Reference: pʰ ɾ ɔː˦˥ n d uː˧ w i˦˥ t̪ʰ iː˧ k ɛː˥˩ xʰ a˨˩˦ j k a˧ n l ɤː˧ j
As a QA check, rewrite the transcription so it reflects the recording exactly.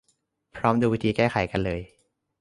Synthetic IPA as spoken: pʰ ɾ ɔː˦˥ m d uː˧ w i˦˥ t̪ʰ iː˧ k ɛː˥˩ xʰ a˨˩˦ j k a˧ n l ɤː˧ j